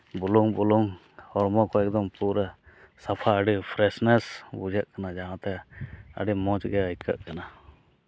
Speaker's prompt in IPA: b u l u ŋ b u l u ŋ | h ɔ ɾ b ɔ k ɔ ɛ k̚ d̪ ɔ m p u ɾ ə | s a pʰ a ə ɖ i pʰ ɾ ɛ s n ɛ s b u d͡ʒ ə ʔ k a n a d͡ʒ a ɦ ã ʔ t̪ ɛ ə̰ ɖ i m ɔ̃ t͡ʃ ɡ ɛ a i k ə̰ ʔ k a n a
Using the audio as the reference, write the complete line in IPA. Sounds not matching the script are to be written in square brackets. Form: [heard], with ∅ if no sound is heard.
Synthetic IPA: b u l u ŋ b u l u ŋ | h ɔ ɾ [m] ɔ k ɔ ɛ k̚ d̪ ɔ m p u ɾ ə | s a pʰ a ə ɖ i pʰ ɾ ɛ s n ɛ s b u d͡ʒ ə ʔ k a n a d͡ʒ a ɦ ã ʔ t̪ ɛ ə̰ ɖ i m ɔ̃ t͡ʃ ɡ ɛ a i k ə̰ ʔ k a n a